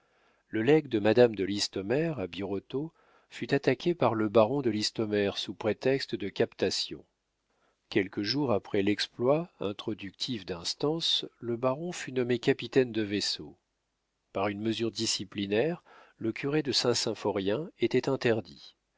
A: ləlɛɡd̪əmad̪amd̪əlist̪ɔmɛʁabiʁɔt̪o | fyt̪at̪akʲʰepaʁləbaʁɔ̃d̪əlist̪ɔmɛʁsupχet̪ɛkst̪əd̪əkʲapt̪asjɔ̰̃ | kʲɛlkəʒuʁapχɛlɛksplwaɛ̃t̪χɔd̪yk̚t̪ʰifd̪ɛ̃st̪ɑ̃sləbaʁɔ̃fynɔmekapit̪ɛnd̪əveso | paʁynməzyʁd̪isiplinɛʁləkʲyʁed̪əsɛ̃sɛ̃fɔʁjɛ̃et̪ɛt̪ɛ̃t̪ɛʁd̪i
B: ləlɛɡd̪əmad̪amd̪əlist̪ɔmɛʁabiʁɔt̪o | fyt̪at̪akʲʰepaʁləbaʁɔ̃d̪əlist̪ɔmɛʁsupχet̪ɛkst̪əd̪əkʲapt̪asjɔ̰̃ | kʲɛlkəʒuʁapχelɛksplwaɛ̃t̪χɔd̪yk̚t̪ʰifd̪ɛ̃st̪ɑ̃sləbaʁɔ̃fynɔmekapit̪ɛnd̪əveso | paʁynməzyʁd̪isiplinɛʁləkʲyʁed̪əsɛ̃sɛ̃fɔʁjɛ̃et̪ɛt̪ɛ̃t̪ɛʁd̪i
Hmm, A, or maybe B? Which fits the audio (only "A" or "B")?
A